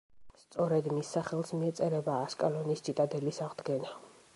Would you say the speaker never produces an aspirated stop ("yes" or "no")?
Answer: yes